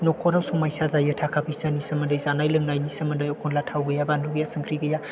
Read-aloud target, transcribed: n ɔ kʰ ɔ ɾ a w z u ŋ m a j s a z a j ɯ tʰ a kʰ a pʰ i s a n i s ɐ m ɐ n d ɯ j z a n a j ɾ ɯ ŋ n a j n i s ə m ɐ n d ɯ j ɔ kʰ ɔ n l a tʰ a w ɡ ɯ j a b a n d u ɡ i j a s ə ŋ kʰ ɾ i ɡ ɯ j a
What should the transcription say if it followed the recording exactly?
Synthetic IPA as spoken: n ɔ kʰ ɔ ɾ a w s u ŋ m a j s a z a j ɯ tʰ a kʰ a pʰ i s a n i s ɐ m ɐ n d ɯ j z a n a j l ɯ ŋ n a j n i s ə m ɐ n d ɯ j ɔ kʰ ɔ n l a tʰ a w ɡ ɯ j a b a n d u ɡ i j a s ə ŋ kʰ ɾ i ɡ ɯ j a